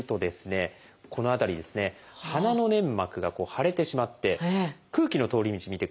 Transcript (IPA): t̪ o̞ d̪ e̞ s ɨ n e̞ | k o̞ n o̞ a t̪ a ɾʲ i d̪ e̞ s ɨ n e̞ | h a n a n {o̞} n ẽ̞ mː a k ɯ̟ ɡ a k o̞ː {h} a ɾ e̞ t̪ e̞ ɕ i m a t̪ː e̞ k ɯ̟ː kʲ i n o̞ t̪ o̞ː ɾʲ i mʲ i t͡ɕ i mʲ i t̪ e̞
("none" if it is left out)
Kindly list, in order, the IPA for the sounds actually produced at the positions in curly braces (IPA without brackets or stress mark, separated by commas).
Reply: o̞, h